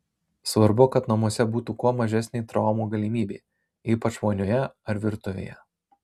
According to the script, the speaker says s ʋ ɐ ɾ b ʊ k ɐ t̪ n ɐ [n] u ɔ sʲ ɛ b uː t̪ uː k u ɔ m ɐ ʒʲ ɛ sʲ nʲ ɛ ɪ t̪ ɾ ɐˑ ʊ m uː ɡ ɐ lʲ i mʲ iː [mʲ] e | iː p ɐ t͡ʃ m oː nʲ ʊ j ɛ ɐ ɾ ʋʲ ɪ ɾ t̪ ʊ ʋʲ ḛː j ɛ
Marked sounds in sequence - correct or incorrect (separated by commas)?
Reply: incorrect, incorrect